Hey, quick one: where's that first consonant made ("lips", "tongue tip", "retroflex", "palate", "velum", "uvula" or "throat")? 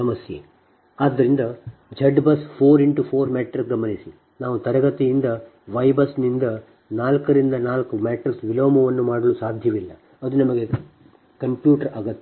lips